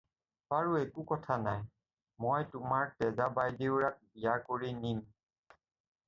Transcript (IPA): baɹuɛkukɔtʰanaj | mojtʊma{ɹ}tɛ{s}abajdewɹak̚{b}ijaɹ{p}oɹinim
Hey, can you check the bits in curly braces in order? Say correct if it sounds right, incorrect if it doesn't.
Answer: correct, incorrect: z, correct, incorrect: k

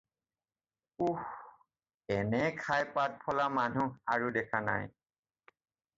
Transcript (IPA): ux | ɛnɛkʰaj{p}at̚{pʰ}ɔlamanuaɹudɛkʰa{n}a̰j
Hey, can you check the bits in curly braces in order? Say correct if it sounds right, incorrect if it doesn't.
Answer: correct, correct, correct

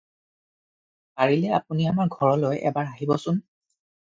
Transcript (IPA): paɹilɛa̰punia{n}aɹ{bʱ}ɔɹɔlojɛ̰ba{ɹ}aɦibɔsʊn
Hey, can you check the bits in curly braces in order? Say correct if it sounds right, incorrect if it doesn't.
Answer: incorrect: m, incorrect: ɡʱ, correct

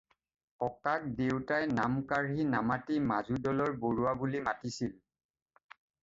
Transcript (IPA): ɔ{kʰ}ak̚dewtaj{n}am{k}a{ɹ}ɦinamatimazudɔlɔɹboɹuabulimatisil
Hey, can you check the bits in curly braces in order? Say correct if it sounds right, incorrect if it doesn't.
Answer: incorrect: k, correct, correct, correct

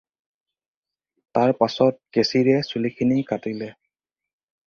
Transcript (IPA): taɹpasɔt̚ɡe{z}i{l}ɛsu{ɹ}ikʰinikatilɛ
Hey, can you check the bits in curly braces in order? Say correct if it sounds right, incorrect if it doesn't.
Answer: incorrect: s, incorrect: ɹ, incorrect: l

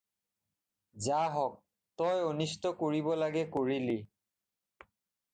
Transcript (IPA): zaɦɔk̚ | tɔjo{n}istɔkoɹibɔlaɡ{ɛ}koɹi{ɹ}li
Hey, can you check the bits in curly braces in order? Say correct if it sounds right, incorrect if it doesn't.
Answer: correct, correct, incorrect: none

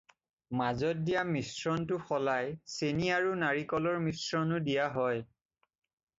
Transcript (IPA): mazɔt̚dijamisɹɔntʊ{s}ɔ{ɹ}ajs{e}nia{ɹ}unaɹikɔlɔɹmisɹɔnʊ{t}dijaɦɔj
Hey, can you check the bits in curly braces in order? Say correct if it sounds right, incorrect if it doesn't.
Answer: incorrect: x, incorrect: l, correct, correct, incorrect: none

